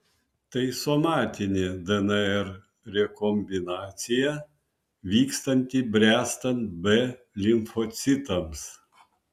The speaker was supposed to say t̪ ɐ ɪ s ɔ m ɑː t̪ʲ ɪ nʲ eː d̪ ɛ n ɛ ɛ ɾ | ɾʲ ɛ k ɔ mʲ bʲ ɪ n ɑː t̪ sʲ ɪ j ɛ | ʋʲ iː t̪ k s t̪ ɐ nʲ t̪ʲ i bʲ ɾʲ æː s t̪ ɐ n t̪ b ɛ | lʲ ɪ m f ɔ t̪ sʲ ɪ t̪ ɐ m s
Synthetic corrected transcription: t̪ ɐ ɪ s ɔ m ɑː t̪ʲ ɪ nʲ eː d̪ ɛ n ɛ ɛ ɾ | ɾʲ ɛ k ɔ mʲ bʲ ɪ n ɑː t̪ sʲ ɪ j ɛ | ʋʲ iː k s t̪ ɐ nʲ t̪ʲ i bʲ ɾʲ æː s t̪ ɐ n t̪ b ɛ | lʲ ɪ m f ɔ t̪ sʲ ɪ t̪ ɐ m s